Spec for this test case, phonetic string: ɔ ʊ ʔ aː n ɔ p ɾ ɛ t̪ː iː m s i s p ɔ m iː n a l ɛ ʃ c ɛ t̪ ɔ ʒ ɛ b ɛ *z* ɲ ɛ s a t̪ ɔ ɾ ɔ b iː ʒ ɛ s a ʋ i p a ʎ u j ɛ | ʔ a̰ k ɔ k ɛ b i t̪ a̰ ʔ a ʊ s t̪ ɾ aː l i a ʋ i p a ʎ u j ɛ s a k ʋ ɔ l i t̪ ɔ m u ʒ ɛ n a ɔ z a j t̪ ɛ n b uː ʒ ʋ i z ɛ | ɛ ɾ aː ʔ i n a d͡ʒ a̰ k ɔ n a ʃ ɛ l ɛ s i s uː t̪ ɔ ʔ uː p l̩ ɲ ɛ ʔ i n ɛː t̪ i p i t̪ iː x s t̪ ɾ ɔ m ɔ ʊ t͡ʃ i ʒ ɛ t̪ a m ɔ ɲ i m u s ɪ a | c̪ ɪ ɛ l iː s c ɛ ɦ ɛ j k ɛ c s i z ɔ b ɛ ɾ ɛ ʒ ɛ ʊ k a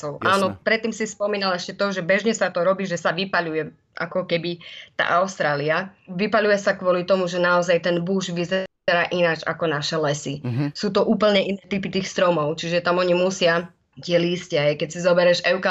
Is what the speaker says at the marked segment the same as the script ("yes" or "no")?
no